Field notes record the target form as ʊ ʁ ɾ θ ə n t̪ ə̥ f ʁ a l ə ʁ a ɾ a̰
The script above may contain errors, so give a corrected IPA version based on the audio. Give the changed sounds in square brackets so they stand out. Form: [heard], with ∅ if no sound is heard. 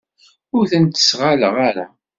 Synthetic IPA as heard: ʊ [∅] ɾ θ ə n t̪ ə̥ [s] ʁ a l ə ʁ a ɾ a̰